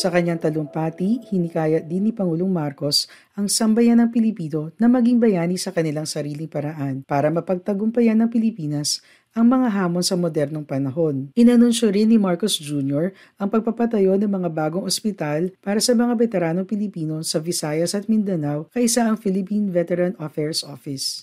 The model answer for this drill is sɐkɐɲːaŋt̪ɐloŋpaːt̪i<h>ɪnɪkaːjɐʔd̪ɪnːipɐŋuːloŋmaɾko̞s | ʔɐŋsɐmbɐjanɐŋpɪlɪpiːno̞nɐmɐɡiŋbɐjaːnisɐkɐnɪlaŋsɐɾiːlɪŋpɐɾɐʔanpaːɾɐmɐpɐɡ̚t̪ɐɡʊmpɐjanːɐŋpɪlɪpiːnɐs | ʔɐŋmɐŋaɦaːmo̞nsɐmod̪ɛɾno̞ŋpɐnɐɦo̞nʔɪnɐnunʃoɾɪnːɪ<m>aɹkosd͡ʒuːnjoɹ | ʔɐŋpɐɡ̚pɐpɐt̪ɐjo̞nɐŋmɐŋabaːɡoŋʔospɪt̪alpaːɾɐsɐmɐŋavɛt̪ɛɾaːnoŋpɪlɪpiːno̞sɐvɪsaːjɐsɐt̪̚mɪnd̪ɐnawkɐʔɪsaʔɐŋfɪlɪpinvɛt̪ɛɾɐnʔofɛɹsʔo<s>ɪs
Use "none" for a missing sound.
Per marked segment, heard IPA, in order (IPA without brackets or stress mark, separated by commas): h, m, f